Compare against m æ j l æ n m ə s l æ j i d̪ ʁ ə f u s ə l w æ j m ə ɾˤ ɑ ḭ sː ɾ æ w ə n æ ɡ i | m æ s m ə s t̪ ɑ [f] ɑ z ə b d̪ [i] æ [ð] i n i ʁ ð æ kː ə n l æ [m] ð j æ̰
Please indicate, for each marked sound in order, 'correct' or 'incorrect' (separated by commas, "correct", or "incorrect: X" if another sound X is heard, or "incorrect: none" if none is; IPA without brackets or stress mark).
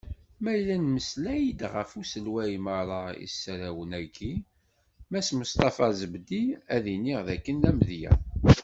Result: correct, correct, correct, correct